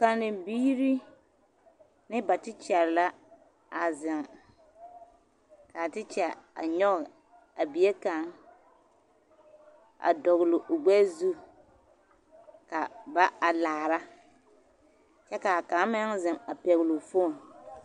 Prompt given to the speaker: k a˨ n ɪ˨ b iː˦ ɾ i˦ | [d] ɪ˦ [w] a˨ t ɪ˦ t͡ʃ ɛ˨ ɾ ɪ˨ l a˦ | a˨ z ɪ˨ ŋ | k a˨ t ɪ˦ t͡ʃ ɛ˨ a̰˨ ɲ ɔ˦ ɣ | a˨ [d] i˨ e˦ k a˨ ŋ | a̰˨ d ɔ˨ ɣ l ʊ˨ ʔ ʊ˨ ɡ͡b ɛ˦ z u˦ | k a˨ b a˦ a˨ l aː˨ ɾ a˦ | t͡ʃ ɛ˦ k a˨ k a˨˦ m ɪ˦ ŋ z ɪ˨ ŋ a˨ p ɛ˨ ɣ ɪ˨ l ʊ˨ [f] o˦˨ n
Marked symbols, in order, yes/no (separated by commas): no, no, no, yes